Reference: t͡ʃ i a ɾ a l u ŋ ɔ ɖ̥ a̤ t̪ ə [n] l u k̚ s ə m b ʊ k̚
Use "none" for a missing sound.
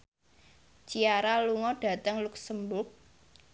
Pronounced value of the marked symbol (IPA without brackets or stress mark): ŋ